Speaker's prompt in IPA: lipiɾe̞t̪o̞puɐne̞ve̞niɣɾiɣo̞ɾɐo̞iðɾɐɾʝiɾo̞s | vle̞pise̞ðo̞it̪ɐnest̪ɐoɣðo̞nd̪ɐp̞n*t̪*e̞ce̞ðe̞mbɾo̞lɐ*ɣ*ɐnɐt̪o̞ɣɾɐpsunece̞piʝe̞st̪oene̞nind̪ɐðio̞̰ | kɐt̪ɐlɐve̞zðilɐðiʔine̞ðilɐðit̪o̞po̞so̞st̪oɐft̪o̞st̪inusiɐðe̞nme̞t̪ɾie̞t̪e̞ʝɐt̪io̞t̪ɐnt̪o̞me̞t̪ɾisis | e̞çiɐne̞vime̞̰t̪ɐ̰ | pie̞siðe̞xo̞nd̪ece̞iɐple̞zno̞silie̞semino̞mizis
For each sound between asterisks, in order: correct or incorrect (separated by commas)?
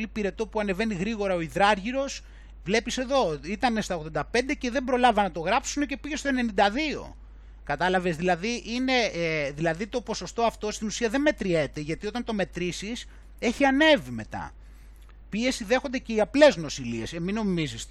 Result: incorrect, incorrect